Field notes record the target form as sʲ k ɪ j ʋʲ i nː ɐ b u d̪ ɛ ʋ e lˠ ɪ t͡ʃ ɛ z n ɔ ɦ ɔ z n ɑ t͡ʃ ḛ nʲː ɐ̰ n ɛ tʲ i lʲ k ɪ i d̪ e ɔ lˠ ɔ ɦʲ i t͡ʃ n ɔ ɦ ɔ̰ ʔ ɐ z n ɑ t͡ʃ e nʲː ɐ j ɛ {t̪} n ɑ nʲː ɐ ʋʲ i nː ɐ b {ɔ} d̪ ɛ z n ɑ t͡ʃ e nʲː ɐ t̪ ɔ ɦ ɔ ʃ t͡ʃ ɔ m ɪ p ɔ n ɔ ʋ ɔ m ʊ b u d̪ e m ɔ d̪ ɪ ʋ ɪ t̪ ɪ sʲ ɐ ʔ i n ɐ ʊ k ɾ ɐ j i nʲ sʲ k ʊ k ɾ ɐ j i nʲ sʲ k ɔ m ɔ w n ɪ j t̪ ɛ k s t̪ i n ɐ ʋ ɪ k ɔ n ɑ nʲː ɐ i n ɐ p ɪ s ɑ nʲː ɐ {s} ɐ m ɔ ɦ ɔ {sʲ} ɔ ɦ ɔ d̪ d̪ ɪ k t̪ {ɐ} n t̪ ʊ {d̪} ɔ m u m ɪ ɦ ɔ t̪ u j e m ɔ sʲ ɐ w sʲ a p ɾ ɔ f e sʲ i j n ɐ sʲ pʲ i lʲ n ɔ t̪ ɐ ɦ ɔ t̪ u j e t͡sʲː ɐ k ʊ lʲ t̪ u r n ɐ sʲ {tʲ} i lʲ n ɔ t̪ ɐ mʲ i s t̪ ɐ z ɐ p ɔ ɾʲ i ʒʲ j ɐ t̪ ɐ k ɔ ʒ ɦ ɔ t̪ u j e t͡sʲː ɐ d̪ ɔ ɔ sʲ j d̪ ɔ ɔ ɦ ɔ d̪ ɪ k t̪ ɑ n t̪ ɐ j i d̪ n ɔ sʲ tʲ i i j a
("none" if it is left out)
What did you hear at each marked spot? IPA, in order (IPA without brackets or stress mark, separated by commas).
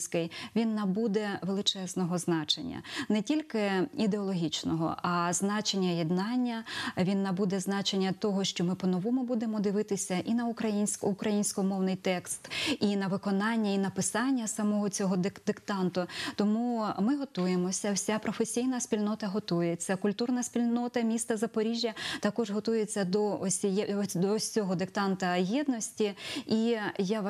d̪, u, s, t͡sʲ, ɑ, t̪, pʲ